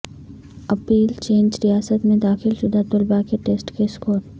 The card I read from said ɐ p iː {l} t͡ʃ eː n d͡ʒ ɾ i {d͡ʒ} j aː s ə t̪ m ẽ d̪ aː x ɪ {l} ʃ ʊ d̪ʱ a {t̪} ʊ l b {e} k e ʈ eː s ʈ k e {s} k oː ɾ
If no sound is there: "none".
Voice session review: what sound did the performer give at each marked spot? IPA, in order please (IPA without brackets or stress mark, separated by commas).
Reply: l, none, l, t̪, a, s